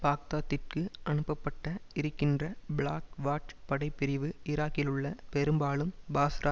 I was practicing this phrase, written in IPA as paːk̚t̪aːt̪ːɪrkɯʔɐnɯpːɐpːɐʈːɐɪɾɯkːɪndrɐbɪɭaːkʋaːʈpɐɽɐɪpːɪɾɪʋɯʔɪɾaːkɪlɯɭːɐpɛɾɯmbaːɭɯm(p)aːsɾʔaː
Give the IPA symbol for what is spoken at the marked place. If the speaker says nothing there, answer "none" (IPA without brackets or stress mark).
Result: b